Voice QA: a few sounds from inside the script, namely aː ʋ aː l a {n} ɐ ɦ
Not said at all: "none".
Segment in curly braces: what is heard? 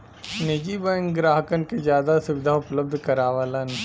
n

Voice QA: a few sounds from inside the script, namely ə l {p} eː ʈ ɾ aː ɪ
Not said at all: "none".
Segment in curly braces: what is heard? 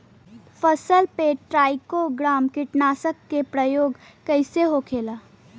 p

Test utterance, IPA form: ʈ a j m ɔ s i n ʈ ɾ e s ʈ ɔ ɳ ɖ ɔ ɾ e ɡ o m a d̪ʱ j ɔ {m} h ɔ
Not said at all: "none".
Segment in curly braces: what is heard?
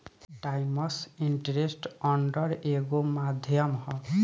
m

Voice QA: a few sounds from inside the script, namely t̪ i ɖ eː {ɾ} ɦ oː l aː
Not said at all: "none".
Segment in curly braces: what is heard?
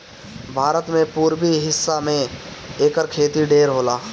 ɾ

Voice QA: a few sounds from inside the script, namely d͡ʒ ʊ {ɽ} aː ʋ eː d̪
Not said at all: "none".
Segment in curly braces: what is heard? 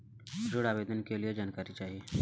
ɽ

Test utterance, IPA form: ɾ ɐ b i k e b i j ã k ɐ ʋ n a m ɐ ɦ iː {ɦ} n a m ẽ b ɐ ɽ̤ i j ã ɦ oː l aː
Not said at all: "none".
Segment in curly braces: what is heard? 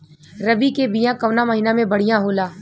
none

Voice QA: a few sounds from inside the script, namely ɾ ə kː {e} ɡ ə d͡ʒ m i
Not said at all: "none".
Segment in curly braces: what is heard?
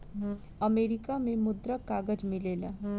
a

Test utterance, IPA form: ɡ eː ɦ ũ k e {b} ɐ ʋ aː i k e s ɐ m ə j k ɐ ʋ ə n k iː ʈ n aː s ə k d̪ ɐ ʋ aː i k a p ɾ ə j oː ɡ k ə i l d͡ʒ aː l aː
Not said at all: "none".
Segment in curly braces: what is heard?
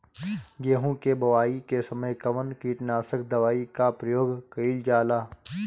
b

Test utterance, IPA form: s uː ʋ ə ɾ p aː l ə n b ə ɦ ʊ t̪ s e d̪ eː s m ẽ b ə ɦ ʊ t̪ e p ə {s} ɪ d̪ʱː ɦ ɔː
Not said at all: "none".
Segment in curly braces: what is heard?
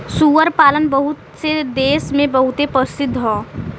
s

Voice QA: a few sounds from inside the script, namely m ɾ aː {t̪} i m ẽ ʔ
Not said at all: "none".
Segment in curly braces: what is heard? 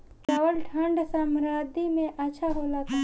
d̪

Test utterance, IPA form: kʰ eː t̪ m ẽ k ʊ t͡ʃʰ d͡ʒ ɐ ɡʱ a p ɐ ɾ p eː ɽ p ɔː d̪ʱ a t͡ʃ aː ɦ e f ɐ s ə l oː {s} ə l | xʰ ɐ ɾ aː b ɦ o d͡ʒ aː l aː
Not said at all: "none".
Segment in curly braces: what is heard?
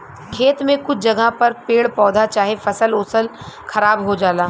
s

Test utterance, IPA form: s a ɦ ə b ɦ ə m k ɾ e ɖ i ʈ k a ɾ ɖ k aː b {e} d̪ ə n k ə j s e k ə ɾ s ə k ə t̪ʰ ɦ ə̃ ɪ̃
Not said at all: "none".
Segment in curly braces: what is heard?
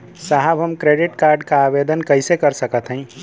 e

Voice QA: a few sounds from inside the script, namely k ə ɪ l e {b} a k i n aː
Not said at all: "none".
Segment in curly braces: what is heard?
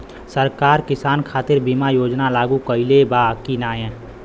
b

